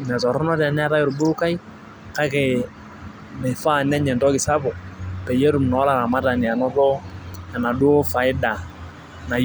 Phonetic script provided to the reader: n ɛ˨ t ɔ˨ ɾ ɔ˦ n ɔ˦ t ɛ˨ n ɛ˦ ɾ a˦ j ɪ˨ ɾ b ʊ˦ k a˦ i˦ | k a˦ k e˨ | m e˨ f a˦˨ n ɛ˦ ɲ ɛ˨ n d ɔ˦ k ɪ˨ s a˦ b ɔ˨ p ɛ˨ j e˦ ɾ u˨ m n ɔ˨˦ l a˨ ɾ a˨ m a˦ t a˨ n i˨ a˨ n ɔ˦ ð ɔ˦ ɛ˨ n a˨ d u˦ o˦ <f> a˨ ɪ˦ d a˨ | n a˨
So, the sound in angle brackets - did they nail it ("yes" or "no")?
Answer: yes